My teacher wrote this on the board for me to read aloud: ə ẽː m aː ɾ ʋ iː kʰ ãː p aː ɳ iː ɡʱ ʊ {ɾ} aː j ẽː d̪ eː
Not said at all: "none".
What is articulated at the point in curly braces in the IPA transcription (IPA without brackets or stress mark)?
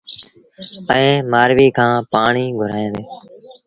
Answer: ɾ